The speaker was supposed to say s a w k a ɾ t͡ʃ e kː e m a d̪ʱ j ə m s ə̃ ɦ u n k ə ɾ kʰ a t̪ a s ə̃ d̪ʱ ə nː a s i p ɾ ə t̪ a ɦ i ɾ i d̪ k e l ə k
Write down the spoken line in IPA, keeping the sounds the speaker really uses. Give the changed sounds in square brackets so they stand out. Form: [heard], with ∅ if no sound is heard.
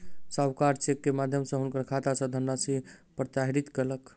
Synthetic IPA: s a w k a ɾ t͡ʃ e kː e m a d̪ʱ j ə m s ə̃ ɦ u n k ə ɾ kʰ a t̪ a s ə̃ d̪ʱ ə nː a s i p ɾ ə t̪ a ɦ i ɾ i [t̪] k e l ə k